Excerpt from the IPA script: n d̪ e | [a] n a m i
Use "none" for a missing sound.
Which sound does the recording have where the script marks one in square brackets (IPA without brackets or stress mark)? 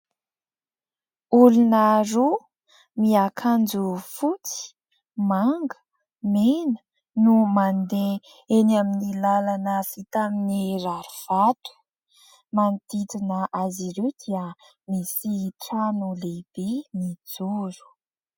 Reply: e